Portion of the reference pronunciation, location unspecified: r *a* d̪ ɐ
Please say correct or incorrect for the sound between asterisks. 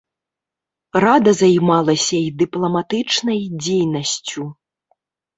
correct